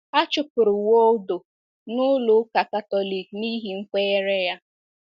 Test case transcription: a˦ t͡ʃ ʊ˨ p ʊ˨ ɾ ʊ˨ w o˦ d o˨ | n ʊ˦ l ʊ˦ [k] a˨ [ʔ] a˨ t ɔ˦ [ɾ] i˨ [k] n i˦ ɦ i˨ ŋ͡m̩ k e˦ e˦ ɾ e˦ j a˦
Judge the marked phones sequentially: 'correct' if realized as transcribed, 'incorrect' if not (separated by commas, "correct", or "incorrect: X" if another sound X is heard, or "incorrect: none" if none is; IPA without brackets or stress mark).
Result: correct, incorrect: k, incorrect: l, correct